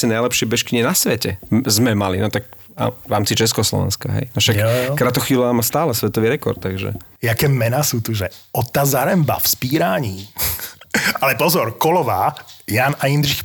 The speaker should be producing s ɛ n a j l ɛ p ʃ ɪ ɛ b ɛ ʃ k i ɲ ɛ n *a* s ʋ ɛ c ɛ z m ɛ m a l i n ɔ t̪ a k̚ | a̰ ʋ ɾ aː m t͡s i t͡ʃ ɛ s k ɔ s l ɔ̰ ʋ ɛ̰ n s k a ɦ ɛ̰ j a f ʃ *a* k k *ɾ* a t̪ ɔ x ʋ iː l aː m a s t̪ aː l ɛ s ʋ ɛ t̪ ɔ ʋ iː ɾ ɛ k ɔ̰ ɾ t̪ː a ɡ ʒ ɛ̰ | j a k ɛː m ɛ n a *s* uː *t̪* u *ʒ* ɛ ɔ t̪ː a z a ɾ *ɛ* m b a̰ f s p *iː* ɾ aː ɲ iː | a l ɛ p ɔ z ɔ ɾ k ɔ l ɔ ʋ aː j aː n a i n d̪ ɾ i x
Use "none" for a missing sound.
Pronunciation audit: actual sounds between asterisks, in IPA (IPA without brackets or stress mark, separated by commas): a, a, ɾ, s, t̪, ʒ, ɛ, iː